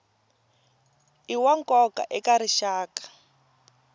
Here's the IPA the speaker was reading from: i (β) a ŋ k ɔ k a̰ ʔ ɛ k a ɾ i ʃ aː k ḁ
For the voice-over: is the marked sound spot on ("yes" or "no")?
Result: no